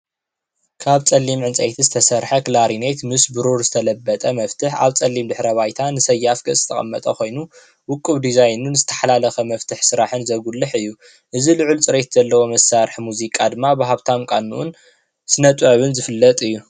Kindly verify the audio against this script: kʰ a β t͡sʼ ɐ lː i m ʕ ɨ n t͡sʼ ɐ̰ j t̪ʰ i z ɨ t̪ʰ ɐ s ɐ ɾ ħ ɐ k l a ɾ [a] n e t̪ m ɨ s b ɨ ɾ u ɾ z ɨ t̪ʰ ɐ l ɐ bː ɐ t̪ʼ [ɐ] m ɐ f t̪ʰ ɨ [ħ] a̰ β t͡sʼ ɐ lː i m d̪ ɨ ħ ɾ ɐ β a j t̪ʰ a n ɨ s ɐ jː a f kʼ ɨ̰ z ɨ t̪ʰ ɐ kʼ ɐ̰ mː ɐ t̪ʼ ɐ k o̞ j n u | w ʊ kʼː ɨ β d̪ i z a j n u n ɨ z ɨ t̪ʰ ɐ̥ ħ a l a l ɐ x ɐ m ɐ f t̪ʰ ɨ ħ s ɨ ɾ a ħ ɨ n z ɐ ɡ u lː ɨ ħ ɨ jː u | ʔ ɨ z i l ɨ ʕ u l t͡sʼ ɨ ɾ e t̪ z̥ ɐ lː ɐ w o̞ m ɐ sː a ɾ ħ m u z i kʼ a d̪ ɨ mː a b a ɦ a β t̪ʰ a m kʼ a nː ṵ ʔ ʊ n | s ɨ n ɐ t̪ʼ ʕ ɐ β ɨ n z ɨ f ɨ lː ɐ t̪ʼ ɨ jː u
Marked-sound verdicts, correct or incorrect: incorrect, correct, correct

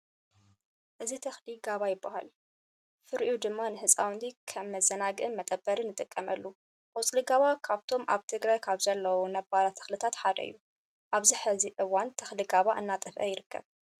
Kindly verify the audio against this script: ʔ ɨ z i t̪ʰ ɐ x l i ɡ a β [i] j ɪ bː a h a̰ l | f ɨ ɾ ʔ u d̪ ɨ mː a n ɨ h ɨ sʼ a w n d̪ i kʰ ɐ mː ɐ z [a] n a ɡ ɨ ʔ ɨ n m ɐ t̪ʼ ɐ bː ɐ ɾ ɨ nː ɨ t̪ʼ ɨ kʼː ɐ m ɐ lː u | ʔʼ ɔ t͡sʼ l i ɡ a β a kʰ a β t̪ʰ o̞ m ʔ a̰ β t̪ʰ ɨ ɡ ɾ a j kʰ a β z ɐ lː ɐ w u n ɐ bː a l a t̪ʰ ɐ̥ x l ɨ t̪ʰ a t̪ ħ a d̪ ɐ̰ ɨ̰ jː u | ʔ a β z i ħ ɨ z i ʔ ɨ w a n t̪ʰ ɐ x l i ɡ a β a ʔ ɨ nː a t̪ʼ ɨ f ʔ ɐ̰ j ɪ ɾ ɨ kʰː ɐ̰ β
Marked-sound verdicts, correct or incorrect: incorrect, incorrect

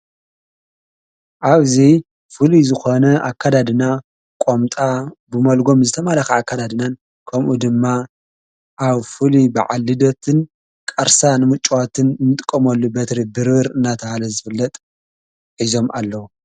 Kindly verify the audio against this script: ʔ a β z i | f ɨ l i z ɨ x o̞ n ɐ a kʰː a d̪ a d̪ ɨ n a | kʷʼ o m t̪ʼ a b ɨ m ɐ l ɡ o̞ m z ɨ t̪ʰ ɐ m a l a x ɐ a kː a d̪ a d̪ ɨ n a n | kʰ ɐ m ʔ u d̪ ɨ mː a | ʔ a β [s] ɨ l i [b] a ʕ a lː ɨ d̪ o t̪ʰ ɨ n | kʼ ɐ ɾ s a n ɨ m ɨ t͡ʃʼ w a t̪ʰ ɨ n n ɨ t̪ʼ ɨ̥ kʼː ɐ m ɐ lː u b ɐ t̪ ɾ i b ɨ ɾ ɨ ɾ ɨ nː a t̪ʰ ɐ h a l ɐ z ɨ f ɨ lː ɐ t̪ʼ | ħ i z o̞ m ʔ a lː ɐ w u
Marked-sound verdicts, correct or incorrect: incorrect, correct

